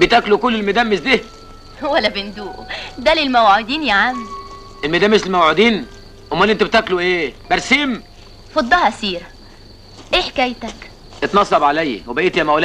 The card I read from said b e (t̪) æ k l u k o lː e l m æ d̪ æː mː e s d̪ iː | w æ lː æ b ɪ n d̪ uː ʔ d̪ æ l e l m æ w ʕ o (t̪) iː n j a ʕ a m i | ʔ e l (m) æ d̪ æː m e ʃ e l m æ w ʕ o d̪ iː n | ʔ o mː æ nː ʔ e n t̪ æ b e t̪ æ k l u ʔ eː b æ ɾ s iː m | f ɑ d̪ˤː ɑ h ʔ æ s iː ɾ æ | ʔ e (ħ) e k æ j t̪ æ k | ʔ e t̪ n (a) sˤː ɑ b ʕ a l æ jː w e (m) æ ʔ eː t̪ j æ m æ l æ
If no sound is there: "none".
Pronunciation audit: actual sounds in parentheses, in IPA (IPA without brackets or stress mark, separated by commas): t̪, d̪, m, ħ, ɑ, b